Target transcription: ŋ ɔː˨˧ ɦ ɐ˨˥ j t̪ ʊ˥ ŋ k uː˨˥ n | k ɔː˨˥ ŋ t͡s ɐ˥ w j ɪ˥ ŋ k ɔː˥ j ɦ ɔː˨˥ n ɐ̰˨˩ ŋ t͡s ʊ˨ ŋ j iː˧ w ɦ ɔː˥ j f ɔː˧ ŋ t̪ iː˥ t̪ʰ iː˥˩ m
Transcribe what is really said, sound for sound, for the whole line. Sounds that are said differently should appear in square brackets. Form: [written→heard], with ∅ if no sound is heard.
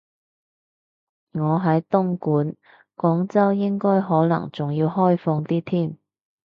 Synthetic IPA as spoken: ŋ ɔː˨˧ ɦ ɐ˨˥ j t̪ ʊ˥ ŋ k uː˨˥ n | k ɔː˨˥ ŋ t͡s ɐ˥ w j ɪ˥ ŋ k ɔː˥ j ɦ ɔː˨˥ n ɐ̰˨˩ ŋ t͡s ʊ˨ ŋ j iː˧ w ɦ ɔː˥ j f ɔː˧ ŋ t̪ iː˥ t̪ʰ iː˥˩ m